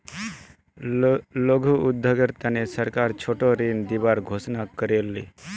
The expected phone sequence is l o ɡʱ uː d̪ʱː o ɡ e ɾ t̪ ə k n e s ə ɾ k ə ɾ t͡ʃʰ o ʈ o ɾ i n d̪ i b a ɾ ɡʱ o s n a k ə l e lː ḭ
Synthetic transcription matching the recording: l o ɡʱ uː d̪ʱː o ɡ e ɾ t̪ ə n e s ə ɾ k a ɾ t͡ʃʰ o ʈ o ɾ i n d̪ i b a ɾ ɡʱ o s n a k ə ɾ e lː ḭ